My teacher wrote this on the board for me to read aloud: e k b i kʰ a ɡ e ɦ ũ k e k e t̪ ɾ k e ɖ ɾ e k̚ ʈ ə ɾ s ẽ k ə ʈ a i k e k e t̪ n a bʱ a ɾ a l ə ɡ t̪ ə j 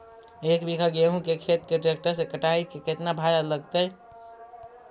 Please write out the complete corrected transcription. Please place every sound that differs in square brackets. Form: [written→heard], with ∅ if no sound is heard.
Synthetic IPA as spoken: e k b i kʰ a ɡ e ɦ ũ k e [k→kʰ] e t̪ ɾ k e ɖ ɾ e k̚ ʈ ə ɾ s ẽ k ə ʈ a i k e k e t̪ n a bʱ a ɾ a l ə ɡ t̪ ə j